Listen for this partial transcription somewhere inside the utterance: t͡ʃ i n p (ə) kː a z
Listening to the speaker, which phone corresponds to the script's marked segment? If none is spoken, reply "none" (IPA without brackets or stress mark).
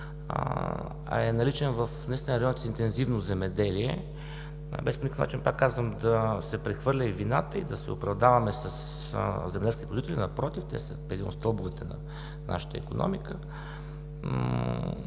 a